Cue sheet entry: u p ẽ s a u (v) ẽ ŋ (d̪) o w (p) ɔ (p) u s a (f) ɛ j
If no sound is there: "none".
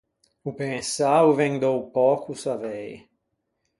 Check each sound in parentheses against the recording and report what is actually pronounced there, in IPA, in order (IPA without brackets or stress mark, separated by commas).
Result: v, d̪, p, k, v